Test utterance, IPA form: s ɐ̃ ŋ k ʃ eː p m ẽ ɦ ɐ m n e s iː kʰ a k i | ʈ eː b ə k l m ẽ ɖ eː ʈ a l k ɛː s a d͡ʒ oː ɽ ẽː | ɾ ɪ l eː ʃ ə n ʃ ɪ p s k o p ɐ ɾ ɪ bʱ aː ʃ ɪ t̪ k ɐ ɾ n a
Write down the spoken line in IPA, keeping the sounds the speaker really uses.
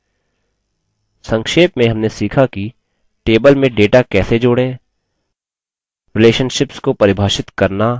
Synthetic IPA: s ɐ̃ ŋ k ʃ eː p m ẽ ɦ ɐ m n e s iː kʰ a k i | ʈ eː b ə l m ẽ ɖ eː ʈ a k ɛː s e d͡ʒ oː ɽ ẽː | ɾ ɪ l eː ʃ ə n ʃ ɪ p s k o p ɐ ɾ ɪ bʱ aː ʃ ɪ t̪ k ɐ ɾ n a